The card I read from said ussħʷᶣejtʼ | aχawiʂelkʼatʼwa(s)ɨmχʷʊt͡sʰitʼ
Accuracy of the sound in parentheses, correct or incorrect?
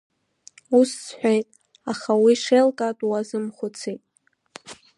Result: incorrect